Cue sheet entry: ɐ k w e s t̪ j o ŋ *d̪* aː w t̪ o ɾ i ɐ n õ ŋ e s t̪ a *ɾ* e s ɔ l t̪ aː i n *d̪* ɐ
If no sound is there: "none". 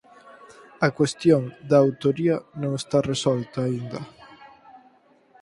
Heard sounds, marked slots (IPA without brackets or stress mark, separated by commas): d̪, r, d̪